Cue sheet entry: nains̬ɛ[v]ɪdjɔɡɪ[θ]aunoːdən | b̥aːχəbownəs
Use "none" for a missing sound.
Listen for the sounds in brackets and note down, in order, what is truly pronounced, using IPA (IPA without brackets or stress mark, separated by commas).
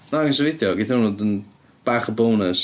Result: v, θ